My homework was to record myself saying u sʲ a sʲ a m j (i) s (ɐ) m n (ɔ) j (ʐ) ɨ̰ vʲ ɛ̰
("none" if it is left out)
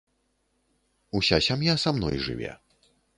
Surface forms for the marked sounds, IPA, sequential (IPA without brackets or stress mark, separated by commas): a, a, ɔ, ʐ